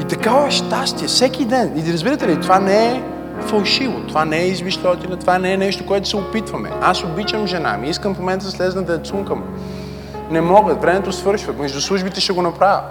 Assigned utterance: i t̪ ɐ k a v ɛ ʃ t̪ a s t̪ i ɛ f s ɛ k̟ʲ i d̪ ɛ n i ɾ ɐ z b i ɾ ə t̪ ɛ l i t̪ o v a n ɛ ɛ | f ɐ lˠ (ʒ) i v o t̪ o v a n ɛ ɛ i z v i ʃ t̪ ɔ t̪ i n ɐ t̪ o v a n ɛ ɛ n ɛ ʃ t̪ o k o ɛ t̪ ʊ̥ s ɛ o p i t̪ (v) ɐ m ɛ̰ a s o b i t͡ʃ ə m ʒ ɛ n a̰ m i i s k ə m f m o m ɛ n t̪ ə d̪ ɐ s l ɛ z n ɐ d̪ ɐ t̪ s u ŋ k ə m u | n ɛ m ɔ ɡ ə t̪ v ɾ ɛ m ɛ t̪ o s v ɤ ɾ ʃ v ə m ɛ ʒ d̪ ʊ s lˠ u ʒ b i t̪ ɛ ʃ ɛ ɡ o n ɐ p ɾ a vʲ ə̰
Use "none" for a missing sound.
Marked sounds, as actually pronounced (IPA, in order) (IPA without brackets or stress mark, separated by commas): ʃ, v